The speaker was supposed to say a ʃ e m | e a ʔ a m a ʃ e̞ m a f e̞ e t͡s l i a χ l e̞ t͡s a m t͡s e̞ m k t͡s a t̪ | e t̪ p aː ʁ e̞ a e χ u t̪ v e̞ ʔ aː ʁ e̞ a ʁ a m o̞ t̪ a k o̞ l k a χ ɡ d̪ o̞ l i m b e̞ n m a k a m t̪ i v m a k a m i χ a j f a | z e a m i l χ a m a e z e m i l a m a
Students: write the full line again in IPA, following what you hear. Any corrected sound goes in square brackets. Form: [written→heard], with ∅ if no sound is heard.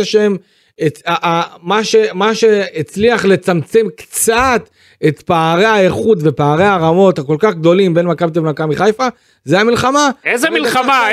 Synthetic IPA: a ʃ e m | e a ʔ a m a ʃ e̞ m a [f→ʃ] e̞ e t͡s l i a χ l e̞ t͡s a m t͡s e̞ m k t͡s a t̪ | e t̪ p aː ʁ e̞ a e χ u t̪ v e̞ [ʔ→p] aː ʁ e̞ a ʁ a m o̞ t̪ a k o̞ l k a χ ɡ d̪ o̞ l i m b e̞ n m a k a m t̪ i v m a k a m i χ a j f a | z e a m i l χ a m a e z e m i l a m a